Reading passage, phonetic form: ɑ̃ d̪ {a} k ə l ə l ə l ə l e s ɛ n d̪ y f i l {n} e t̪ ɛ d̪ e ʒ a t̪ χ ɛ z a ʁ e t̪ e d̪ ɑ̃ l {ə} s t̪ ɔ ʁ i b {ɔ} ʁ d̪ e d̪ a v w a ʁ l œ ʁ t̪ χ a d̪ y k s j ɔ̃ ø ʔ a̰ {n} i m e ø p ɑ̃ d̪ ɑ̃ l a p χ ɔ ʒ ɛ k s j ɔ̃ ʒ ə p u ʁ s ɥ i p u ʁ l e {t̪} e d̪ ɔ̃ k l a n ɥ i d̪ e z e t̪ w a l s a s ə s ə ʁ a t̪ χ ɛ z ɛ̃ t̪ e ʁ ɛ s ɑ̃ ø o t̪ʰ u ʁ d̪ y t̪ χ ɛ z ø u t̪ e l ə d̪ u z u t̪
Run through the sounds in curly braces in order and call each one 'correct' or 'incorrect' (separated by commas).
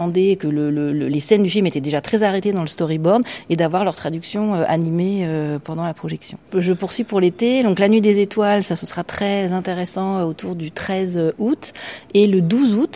incorrect, incorrect, correct, correct, correct, correct